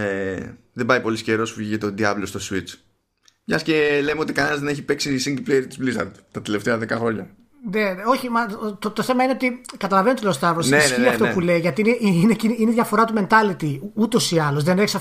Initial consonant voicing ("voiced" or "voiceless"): voiced